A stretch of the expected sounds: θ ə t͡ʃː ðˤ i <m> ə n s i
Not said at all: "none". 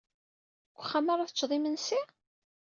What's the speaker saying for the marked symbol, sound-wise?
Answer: m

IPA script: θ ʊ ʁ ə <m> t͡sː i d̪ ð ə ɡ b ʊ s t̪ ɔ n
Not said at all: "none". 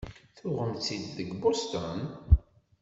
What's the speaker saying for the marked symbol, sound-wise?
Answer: m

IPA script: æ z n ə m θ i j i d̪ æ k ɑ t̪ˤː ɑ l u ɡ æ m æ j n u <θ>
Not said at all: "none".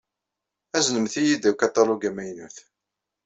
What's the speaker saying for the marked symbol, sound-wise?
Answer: θ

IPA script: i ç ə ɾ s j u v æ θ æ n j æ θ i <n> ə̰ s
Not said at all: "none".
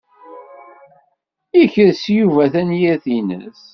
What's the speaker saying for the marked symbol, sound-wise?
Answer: n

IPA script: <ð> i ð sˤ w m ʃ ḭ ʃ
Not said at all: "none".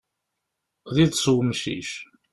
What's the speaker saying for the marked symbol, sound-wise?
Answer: ð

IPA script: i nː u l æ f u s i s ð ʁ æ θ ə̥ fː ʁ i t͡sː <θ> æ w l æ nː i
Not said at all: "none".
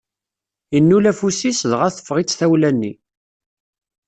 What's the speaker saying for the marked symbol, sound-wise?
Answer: θ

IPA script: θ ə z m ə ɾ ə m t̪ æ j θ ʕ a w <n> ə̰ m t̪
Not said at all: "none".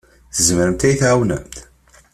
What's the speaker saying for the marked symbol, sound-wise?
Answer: n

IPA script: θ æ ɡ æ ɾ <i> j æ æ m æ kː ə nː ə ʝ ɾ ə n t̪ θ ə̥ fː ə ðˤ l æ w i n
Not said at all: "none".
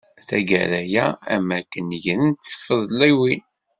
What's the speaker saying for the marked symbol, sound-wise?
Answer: æ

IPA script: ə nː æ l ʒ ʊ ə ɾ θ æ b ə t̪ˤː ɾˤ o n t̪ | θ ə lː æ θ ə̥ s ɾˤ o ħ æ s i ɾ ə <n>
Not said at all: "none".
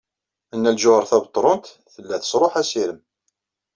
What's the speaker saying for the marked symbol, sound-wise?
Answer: m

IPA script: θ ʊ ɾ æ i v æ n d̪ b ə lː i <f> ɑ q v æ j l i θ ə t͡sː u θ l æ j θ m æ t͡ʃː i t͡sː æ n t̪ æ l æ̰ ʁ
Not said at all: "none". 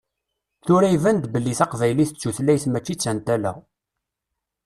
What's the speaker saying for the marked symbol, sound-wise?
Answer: θ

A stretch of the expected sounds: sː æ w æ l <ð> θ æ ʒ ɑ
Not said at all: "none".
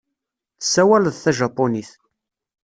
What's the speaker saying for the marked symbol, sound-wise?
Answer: ð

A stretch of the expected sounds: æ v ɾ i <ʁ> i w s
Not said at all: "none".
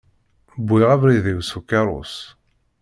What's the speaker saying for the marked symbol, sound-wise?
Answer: ð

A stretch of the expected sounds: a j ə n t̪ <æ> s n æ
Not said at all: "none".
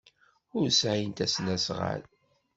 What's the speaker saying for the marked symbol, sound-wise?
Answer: æ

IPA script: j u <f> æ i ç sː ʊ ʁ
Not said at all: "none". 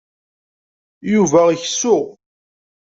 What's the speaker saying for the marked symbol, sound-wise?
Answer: v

